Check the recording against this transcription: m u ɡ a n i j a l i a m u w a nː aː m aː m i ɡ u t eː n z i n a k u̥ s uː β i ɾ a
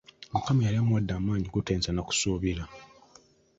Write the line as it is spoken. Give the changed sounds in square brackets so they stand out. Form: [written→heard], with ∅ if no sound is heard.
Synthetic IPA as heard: m u [ɡ→k] a [n→m] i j a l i a m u w a [nː→dː] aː m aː [m→ɲ] i ɡ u t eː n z [i→a] n a k u̥ s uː β i ɾ a